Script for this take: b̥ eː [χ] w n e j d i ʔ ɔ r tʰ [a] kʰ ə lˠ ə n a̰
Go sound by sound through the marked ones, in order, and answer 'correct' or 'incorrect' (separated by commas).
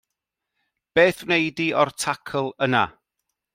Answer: incorrect, correct